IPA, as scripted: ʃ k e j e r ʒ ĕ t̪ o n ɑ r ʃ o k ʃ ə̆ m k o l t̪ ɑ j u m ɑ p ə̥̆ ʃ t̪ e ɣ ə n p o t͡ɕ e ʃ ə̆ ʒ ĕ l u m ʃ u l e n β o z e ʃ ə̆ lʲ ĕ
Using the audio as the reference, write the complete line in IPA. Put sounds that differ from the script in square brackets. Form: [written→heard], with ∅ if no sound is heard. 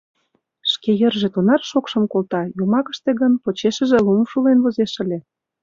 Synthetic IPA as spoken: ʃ k e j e r ʒ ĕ t̪ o n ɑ r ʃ o k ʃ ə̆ m k o l t̪ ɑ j u m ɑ [p→k] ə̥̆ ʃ t̪ e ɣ ə n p o t͡ɕ e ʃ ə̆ ʒ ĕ l u m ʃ u l e n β o z e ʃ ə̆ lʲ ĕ